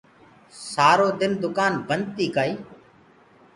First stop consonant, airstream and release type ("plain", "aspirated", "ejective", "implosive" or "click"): plain